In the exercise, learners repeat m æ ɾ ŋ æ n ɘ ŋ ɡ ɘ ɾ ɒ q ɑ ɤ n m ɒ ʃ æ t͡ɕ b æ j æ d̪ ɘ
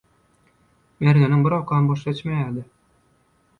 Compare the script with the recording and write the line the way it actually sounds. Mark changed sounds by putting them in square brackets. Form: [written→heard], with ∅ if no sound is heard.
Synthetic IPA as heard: m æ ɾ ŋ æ n ɘ ŋ [ɡ→b] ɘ ɾ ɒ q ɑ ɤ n [m→b] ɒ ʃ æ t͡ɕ [b→m] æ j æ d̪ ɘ